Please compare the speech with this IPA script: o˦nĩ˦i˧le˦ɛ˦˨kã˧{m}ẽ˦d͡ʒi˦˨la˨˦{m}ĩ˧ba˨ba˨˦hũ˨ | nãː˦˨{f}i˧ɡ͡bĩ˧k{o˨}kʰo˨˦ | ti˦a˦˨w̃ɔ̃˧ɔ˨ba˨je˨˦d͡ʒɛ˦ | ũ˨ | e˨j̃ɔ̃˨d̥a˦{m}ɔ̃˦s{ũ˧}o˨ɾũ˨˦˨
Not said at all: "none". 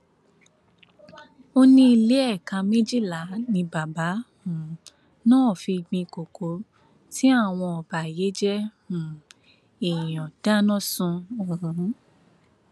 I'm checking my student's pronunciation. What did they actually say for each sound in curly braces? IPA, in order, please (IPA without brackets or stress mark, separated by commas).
m, n, f, o˨, n, ũ˧